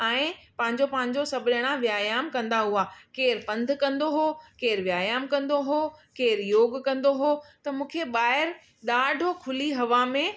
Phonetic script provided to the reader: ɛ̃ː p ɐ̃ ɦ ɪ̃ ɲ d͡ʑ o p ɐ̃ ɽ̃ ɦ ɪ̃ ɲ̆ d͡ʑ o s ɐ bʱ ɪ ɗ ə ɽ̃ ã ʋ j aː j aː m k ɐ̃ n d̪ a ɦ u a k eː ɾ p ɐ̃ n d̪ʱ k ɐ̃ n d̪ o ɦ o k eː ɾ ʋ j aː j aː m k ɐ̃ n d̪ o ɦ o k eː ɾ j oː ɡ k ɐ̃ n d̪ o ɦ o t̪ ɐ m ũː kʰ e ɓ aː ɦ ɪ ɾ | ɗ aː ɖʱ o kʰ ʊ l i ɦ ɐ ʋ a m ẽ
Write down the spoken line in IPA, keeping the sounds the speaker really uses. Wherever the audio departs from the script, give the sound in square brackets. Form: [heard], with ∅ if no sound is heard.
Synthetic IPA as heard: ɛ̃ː p ɐ̃ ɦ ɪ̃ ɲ d͡ʑ o p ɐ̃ [∅] ɦ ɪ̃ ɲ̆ d͡ʑ o s ɐ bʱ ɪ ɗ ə ɽ̃ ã ʋ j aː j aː m k ɐ̃ n d̪ a ɦ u a k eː ɾ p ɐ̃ n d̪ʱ k ɐ̃ n d̪ o ɦ o k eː ɾ ʋ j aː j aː m k ɐ̃ n d̪ o ɦ o k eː ɾ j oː ɡ k ɐ̃ n d̪ o ɦ o t̪ ɐ m ũː kʰ e ɓ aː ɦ ɪ ɾ | ɗ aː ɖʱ o kʰ ʊ l i ɦ ɐ ʋ a m ẽ